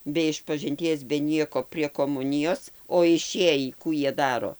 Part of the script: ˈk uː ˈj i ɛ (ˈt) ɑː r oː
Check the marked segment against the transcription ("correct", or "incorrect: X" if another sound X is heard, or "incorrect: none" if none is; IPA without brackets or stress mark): incorrect: d